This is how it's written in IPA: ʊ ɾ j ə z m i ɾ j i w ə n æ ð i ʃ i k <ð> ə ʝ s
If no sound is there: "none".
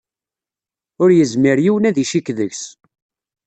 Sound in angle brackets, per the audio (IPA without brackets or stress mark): ð